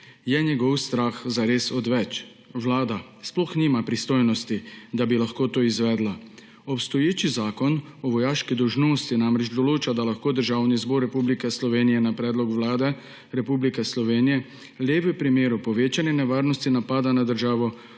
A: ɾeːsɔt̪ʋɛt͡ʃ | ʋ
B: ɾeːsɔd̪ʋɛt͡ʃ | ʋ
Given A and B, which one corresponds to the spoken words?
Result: B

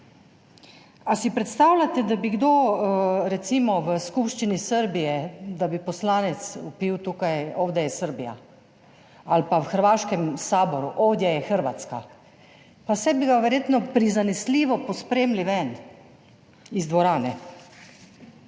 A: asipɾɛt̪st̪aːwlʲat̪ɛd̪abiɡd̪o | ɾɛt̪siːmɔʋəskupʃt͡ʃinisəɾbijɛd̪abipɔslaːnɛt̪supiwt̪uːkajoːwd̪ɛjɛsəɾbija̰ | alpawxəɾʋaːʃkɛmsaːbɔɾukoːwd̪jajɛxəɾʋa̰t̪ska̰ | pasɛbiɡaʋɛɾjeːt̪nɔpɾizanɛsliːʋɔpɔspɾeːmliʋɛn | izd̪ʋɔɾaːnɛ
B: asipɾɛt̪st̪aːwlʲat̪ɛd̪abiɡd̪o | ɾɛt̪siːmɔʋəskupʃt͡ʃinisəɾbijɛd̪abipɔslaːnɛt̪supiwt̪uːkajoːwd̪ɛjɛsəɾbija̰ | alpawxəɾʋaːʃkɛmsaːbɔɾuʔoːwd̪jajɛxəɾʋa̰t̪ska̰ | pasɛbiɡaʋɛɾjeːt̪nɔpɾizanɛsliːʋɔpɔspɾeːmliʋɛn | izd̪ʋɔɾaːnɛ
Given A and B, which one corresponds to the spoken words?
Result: B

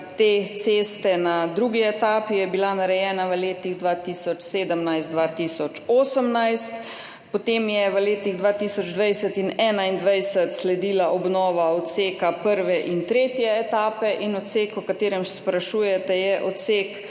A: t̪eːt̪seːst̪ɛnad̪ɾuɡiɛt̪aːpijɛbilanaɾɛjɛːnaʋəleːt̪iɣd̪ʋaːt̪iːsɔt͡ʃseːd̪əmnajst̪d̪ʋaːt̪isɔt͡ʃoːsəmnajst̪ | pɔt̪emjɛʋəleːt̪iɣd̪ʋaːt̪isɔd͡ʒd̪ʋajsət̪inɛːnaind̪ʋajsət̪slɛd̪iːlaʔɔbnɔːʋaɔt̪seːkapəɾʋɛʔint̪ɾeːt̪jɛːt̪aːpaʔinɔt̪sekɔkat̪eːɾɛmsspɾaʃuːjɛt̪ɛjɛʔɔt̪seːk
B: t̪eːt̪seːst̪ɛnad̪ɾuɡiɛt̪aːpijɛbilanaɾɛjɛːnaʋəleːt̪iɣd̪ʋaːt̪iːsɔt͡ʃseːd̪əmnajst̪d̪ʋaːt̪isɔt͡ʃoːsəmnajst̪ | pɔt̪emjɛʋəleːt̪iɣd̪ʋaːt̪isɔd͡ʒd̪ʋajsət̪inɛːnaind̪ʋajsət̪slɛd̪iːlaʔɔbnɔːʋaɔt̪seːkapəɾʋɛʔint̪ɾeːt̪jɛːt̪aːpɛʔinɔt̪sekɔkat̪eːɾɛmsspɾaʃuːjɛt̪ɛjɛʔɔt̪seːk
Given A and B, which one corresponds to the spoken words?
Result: B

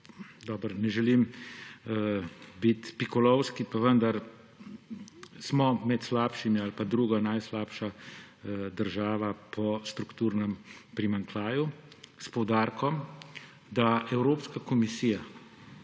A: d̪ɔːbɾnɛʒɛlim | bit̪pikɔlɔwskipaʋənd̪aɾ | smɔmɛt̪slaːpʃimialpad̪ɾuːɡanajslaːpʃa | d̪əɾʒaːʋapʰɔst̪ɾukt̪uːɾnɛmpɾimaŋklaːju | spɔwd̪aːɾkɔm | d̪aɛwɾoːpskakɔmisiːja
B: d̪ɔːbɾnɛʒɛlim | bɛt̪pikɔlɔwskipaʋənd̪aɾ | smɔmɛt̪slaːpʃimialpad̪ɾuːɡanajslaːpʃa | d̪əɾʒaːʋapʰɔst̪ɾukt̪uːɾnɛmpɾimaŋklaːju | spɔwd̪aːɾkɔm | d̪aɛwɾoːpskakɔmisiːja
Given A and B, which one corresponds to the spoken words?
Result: A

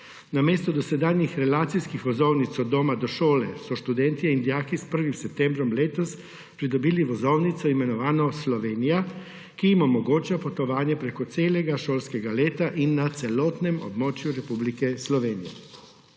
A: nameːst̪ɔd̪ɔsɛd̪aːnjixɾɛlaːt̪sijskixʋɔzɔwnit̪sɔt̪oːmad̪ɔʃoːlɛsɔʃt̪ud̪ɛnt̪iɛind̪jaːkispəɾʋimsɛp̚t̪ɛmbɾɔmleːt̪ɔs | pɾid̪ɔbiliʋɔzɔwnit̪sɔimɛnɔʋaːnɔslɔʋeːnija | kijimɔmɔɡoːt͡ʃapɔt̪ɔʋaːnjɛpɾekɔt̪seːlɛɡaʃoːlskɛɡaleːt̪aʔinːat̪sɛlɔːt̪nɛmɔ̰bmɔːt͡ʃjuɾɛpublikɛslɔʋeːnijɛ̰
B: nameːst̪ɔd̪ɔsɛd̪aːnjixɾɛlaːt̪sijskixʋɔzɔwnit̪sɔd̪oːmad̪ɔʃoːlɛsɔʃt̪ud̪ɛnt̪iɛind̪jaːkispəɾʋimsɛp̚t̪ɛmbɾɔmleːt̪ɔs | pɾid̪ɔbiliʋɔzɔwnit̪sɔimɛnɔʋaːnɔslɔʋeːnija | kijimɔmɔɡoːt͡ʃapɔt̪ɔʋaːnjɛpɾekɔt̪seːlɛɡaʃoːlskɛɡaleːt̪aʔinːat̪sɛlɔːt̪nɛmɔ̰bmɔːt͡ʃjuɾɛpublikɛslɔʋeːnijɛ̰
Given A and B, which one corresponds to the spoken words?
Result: B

